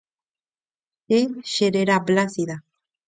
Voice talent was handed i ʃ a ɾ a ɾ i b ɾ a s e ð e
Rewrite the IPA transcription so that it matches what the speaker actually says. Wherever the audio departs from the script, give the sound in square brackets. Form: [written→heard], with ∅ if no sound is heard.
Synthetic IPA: [i→e] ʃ [a→e] ɾ [a→e] ɾ [i→a] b [ɾ→l] a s [e→i] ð [e→a]

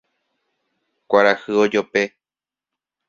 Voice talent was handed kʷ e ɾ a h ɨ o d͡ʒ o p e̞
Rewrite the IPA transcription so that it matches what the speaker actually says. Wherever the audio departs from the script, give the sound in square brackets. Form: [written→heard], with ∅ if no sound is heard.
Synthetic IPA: kʷ [e→a] ɾ a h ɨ o d͡ʒ o p e̞

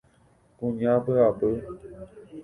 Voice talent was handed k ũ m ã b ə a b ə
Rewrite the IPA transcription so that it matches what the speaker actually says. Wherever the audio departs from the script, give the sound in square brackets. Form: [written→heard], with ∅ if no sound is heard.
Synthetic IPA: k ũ [m→ɲ] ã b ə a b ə

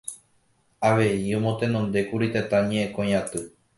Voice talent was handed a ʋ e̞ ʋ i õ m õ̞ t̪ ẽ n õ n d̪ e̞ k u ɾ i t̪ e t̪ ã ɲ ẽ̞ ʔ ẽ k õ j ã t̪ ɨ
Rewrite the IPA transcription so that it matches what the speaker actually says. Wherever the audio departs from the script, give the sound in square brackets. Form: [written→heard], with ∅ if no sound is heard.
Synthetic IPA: a ʋ e̞ [ʋ→∅] i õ m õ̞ t̪ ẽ n õ n d̪ e̞ k u ɾ i t̪ e t̪ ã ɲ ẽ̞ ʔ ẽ k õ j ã t̪ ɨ

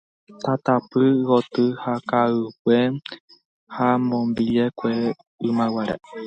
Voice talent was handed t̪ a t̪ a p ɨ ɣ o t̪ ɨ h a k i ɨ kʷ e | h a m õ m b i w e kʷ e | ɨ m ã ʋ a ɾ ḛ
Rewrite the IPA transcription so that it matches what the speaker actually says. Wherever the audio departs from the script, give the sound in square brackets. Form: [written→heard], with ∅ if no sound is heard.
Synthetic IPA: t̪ a t̪ a p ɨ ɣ o t̪ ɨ h a k [i→a] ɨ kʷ e | h a m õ m b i [w→∅] e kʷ e | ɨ m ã [ʋ→w] a ɾ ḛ

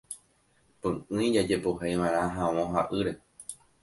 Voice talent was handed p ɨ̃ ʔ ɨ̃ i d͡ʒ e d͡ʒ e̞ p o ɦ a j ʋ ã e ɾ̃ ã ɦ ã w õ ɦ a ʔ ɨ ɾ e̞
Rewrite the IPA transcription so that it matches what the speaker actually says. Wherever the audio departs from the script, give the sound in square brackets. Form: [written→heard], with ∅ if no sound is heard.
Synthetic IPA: p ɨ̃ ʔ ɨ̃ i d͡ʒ [e→a] d͡ʒ e̞ p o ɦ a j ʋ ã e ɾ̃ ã ɦ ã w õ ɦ a ʔ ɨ ɾ e̞

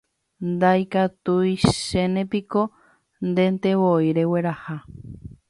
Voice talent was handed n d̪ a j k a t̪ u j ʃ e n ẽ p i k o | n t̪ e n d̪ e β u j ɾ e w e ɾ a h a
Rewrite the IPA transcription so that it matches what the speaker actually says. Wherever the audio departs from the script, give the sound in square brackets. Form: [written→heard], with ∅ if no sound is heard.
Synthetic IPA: n d̪ a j k a t̪ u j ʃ e n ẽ p i k o | n [t̪→d̪] e n [d̪→t̪] e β [u→o] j ɾ e w e ɾ a h a

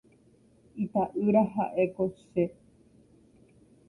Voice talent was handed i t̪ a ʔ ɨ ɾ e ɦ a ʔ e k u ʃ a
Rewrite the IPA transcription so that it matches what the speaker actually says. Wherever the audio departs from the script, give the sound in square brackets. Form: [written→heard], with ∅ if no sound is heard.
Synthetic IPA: i t̪ a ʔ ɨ ɾ [e→a] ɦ a ʔ e k [u→o] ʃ [a→e]

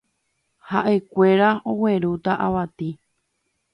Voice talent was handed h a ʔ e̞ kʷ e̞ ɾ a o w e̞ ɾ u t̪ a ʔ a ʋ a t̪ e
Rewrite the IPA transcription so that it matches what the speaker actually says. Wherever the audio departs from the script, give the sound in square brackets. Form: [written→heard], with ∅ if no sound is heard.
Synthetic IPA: h a ʔ e̞ kʷ e̞ ɾ a o w e̞ ɾ u t̪ a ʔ a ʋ a t̪ [e→i]

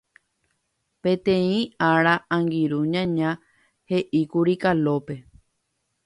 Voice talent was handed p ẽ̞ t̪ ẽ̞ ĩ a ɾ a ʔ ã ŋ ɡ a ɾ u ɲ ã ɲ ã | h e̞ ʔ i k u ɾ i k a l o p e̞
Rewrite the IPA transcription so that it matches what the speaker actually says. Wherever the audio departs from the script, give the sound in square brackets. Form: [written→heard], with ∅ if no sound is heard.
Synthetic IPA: p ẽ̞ t̪ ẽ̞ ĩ a ɾ a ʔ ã ŋ ɡ [a→i] ɾ u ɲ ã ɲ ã | h e̞ ʔ i k u ɾ i k a l o p e̞

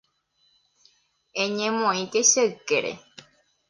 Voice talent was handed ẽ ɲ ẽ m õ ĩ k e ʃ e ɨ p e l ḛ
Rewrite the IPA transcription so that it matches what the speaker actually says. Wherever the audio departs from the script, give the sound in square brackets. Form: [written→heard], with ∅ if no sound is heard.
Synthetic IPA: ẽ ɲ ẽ m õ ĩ k e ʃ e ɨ [p→k] e [l→ɾ] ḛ

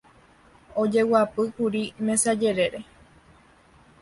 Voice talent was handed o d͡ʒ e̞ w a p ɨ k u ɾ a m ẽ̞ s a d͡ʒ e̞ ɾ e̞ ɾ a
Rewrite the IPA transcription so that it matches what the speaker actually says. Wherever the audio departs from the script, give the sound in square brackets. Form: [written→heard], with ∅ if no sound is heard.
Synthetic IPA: o d͡ʒ e̞ w a p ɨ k u ɾ [a→i] m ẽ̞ s a d͡ʒ e̞ ɾ e̞ ɾ [a→e]

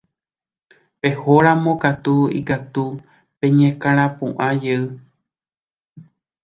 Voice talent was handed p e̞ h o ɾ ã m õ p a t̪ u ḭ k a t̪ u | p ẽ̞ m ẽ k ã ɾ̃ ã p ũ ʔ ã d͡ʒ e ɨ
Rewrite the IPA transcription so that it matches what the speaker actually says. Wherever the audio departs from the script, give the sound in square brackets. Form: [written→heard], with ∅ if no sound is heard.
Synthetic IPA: p e̞ h o ɾ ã m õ [p→k] a t̪ u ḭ k a t̪ u | p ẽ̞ [m→ɲ] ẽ k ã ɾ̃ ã p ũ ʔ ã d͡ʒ e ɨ

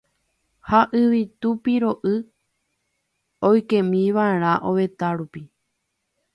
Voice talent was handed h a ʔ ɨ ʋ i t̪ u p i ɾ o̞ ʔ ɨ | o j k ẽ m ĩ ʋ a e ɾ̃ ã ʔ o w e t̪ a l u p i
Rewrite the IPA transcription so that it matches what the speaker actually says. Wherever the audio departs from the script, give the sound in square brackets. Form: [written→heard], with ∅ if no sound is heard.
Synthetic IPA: h a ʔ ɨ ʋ i t̪ u p i ɾ o̞ ʔ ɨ | o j k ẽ m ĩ ʋ a e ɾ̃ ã ʔ o [w→ʋ] e t̪ a [l→ɾ] u p i

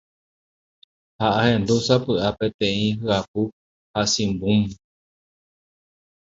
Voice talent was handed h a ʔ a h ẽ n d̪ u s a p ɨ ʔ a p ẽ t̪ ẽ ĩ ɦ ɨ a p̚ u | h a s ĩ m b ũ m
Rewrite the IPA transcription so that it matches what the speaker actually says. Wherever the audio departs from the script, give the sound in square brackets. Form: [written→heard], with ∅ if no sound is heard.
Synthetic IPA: h a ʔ a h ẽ n d̪ u s a p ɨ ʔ a p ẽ t̪ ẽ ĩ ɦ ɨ a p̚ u | h a s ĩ m b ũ m

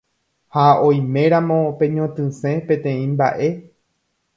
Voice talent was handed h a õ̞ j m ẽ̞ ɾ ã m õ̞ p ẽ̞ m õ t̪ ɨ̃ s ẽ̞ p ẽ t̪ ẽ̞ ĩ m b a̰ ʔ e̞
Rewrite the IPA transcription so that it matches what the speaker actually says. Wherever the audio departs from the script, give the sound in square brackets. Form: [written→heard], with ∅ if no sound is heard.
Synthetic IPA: h a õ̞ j m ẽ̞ ɾ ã m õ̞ p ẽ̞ [m→ɲ] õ t̪ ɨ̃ s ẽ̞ p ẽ t̪ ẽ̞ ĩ m b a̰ ʔ e̞

